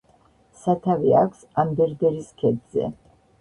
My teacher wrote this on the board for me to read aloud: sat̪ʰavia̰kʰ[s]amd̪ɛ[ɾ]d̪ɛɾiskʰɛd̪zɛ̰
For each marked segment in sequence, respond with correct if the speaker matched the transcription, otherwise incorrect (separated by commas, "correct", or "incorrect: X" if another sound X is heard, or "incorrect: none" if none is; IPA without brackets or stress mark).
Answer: correct, correct